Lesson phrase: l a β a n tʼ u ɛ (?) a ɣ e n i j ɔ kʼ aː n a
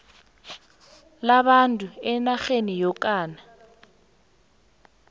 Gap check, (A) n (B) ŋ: A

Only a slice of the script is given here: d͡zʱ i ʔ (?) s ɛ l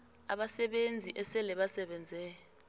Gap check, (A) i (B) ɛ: B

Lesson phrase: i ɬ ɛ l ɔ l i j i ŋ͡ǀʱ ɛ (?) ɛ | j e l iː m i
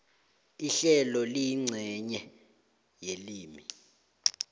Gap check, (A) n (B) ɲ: B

